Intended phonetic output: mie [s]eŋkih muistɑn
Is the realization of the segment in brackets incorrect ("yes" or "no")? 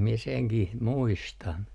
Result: no